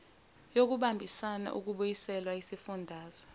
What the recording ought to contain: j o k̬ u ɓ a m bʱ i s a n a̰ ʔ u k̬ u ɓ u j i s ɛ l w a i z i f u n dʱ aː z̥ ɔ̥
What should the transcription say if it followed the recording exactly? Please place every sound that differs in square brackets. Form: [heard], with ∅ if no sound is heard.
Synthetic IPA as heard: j o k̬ u ɓ a m bʱ i s a n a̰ ʔ u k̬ u ɓ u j i s ɛ l w a i [s] i f u n dʱ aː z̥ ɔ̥